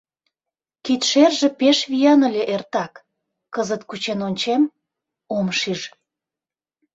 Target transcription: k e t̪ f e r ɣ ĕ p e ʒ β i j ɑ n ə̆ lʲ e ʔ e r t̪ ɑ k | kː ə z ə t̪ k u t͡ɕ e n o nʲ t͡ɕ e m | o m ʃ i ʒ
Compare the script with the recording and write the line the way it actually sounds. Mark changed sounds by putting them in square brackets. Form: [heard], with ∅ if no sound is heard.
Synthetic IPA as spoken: k [i] t̪ [ʃ] e r [ʒ] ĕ p e [ʃ] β i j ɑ n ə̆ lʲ e ʔ e r t̪ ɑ k | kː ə z ə t̪ k u t͡ɕ e n o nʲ t͡ɕ e m | o m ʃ i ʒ